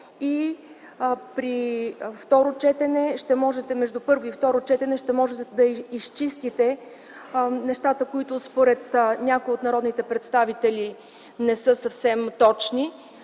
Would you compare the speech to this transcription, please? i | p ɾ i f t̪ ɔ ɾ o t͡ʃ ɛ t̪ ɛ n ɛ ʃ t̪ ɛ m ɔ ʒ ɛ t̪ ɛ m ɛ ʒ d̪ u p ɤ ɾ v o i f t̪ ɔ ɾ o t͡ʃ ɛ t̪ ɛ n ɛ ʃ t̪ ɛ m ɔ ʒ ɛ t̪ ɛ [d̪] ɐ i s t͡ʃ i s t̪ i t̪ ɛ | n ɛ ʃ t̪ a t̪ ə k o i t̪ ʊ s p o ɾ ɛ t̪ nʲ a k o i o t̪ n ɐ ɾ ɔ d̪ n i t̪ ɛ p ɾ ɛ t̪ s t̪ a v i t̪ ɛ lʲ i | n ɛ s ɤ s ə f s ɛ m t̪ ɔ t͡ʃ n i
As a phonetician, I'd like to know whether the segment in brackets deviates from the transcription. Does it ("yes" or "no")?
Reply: no